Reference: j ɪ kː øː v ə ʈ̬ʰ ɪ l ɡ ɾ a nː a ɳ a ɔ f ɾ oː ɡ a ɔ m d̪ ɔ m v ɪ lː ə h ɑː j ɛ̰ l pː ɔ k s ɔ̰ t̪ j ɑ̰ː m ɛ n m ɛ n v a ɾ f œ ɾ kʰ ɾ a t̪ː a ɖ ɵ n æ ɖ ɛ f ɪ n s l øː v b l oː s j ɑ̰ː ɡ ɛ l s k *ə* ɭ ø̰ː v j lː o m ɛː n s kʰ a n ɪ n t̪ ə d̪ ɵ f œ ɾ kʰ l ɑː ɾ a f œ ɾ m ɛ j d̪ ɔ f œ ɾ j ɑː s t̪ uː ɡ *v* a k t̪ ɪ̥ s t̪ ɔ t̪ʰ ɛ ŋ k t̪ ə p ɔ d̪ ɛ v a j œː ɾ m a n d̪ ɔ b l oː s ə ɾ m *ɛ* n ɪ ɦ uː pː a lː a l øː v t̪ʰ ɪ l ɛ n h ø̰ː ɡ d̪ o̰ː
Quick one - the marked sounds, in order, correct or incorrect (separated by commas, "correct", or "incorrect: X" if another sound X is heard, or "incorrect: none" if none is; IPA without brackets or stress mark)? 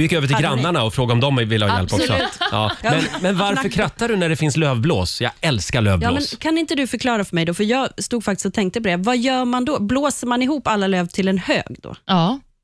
incorrect: a, incorrect: f, incorrect: a